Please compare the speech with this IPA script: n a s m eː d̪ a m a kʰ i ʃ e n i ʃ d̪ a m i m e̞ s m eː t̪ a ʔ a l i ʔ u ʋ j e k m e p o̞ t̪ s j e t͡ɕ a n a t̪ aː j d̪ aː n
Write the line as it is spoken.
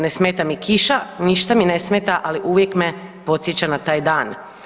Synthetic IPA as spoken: n e s m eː t̪ a m i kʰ i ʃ a n i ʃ t̪ a m i n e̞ s m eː t̪ a ʔ a l i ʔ u ʋ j e k m e p o̞ t̪ s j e t͡ɕ a n a t̪ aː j d̪ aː n

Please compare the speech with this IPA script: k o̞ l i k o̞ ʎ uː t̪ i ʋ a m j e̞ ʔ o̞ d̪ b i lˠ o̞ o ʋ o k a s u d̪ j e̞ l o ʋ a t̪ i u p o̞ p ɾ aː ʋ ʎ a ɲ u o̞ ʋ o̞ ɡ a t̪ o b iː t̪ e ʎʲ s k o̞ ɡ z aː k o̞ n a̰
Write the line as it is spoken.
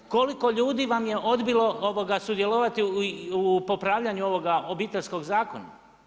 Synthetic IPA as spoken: k o̞ l i k o̞ ʎ uː d̪ i ʋ a m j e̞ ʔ o̞ d̪ b i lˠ o̞ o ʋ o ɡ a s u d̪ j e̞ l o ʋ a t̪ i u p o̞ p ɾ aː ʋ ʎ a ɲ u o̞ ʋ o̞ ɡ a o b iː t̪ e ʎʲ s k o̞ ɡ z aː k o̞ n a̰

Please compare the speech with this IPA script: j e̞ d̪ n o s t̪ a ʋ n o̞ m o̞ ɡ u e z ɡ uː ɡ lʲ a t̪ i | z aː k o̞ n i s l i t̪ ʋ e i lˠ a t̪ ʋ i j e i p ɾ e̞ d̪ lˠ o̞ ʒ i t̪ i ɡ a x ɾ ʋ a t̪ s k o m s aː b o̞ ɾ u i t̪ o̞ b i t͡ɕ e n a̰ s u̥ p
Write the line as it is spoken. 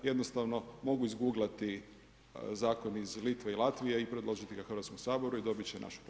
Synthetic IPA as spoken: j e̞ d̪ n o s t̪ a ʋ n o̞ m o̞ ɡ u i z ɡ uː ɡ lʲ a t̪ i | z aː k o̞ n i z l i t̪ ʋ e i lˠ a t̪ ʋ i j e i p ɾ e̞ d̪ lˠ o̞ ʒ i t̪ i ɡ a x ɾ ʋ a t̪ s k o m s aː b o̞ ɾ u i d̪ o̞ b i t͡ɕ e n a̰ ʃ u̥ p

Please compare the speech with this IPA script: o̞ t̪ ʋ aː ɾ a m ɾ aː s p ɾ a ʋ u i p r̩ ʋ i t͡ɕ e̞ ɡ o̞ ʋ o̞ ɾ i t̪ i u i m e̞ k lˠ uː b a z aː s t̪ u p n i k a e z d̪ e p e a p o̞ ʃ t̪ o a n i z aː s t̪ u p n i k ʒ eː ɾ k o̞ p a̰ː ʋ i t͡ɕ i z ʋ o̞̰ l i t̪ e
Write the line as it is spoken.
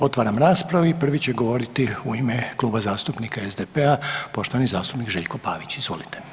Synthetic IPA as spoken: o̞ t̪ ʋ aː ɾ a m ɾ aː s p ɾ a ʋ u i p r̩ ʋ i t͡ɕ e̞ ɡ o̞ ʋ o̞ ɾ i t̪ i u i m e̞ k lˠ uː b a z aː s t̪ u p n i k a e z d̪ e p e a p o̞ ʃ t̪ o a n i z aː s t̪ u p n i k ʒ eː ʎ k o̞ p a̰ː ʋ i t͡ɕ i z ʋ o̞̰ l i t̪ e

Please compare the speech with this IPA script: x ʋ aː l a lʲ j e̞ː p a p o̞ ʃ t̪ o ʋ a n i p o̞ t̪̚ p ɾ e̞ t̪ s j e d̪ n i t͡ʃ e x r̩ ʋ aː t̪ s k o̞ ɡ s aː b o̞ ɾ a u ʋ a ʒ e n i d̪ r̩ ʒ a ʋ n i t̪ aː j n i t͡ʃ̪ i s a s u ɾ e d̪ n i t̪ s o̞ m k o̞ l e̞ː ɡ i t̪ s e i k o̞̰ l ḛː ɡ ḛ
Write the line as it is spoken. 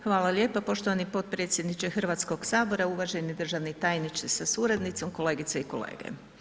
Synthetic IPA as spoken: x ʋ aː l a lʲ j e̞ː p a p o̞ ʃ t̪ o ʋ a n i p o̞ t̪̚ p ɾ e̞ t̪ s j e d̪ n i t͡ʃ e x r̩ ʋ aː t̪ s k o̞ ɡ s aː b o̞ ɾ a u ʋ a ʒ e n i d̪ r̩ ʒ a ʋ n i t̪ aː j n i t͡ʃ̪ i s a s u ɾ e d̪ n i t̪ s o̞ m k o̞ l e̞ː ɡ i t̪ s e i k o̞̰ l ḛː ɡ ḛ

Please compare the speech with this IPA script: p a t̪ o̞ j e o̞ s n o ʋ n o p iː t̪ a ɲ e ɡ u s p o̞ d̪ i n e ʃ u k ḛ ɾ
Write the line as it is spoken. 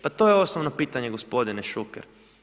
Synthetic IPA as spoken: p a t̪ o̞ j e o̞ s n o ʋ n o p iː t̪ a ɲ e ɡ o s p o̞ d̪ i n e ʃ u k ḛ ɾ

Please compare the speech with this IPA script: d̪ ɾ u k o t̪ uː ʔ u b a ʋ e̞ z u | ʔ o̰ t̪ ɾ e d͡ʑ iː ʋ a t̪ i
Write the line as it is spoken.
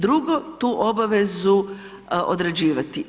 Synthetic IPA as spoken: d̪ ɾ u ɡ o t̪ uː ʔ o b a ʋ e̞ z u | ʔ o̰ d̪ ɾ e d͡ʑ iː ʋ a t̪ i

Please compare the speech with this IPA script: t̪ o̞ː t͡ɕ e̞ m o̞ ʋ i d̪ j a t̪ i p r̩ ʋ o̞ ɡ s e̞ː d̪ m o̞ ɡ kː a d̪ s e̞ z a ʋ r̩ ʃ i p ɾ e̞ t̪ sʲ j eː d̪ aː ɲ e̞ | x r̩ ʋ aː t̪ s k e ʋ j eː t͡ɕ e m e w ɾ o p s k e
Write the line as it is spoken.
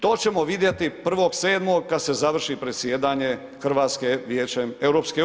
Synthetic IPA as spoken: t̪ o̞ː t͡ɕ e̞ m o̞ ʋ i d̪ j e t̪ i p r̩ ʋ o̞ ɡ s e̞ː d̪ m o̞ ɡ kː a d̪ s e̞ z a ʋ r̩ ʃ i p ɾ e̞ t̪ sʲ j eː d̪ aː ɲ e̞ | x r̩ ʋ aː t̪ s k e ʋ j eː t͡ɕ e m e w ɾ o p s k e

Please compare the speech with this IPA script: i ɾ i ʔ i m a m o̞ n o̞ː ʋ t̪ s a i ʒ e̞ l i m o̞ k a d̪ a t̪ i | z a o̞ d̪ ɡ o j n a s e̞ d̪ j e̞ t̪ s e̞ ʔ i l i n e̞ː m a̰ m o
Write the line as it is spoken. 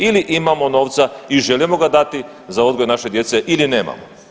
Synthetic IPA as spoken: i l i ʔ i m a m o̞ n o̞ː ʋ t̪ s a i ʒ e̞ l i m o̞ ɡ a d̪ a t̪ i | z a o̞ d̪ ɡ o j n a ʃ e̞ d̪ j e̞ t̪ s e̞ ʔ i l i n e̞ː m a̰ m o

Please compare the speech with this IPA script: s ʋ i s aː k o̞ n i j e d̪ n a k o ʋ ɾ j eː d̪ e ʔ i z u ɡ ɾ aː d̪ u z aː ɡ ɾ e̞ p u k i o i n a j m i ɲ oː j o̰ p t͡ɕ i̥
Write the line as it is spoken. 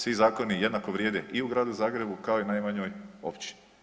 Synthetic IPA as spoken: s ʋ i z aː k o̞ n i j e d̪ n a k o ʋ ɾ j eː d̪ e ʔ i u ɡ ɾ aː d̪ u z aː ɡ ɾ e̞ b u k a o i n a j m a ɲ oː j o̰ p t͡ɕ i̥

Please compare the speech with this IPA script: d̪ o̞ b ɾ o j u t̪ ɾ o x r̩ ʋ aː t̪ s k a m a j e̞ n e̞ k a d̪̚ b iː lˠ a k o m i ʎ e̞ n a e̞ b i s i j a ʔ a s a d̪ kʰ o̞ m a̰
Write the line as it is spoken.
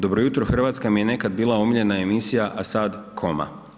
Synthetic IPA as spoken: d̪ o̞ b ɾ o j u t̪ ɾ o x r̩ ʋ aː t̪ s k a m i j e̞ n e̞ k a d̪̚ b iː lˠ a o m i ʎ e̞ n a e̞ m i s i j a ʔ a s a d̪ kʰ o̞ m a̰

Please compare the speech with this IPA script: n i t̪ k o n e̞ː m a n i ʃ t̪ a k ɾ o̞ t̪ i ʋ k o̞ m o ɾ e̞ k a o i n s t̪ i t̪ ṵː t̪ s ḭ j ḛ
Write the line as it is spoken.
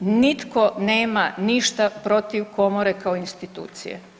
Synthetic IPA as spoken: n i t̪ k o n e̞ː m a n i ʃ t̪ a p ɾ o̞ t̪ i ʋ k o̞ m o ɾ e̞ k a o i n s t̪ i t̪ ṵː t̪ s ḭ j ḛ

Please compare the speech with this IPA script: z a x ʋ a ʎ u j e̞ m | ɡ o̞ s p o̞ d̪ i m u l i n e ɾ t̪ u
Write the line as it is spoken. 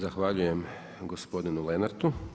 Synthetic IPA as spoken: z a x ʋ a ʎ u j e̞ m | ɡ o̞ s p o̞ d̪ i n u l e n a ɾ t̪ u

